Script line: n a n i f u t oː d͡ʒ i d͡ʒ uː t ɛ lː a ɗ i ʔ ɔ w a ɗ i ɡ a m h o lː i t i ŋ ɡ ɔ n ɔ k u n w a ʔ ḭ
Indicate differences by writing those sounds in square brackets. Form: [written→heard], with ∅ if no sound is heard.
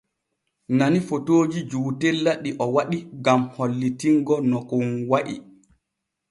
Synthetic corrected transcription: n a n i f [u→o] t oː d͡ʒ i d͡ʒ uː t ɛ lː a ɗ i ʔ ɔ w a ɗ i ɡ a m h o lː i t i ŋ ɡ ɔ n ɔ k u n w a ʔ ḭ

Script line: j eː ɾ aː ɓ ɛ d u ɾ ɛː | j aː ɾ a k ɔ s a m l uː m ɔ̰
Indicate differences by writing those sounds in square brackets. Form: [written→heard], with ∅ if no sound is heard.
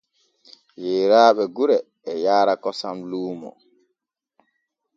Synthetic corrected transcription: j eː ɾ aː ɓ ɛ [d→ɡ] u ɾ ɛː | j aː ɾ a k ɔ s a m l uː m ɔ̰

